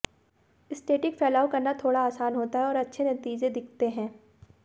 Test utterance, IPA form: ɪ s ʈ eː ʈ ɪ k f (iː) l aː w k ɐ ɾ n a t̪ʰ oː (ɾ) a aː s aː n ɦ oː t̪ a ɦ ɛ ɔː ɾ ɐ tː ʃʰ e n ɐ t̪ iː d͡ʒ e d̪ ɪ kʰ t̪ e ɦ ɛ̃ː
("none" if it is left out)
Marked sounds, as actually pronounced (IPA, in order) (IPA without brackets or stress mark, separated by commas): ɛː, ɽ